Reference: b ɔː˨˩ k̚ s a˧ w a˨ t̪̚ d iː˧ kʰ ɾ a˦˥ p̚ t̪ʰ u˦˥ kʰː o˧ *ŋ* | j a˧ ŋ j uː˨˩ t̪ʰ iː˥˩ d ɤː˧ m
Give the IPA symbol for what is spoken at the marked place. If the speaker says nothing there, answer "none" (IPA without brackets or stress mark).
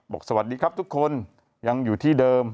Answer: n